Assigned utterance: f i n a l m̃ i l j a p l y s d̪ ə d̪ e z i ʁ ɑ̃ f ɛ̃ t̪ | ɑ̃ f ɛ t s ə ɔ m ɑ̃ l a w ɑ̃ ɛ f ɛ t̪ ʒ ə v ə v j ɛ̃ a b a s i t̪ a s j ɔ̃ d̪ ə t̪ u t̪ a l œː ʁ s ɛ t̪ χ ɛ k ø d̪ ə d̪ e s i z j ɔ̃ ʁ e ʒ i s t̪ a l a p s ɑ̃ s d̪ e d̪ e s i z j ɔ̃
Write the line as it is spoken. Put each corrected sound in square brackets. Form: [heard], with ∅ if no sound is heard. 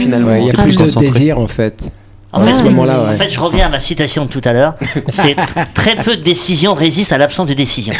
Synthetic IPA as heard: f i n a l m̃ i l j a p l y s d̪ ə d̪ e z i ʁ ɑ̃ f [ɛ] t̪ | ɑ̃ f ɛ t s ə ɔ m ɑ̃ l a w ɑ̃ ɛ f ɛ t̪ ʒ ə [ʁ] ə v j ɛ̃ a [m] a s i t̪ a s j ɔ̃ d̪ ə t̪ u t̪ a l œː ʁ s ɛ t̪ χ ɛ [p] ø d̪ ə d̪ e s i z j ɔ̃ ʁ e [z] i s t̪ a l a p s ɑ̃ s d̪ e d̪ e s i z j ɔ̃